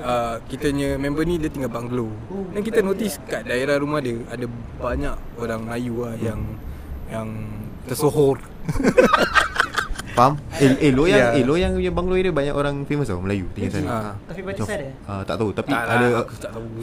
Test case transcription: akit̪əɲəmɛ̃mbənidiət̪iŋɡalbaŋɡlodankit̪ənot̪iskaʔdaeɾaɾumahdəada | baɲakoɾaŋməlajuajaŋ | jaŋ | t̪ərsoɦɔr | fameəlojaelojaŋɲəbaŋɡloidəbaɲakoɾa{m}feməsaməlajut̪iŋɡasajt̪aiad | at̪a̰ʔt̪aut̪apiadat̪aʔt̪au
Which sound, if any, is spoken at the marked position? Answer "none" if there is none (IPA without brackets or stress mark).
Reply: ŋ